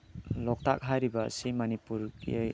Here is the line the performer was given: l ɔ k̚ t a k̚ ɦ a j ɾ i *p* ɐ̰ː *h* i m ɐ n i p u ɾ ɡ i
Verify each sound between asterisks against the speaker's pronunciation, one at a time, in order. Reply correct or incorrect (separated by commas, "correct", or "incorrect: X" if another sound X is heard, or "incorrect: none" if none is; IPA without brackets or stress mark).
incorrect: b, incorrect: s